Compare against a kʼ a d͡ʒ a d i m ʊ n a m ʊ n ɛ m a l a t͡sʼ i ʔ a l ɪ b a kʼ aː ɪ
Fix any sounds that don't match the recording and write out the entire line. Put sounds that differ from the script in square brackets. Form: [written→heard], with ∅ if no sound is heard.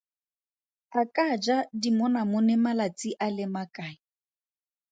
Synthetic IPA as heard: a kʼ a d͡ʒ a d i m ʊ n a m ʊ n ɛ m a l a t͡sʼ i ʔ a l ɪ [b→m] a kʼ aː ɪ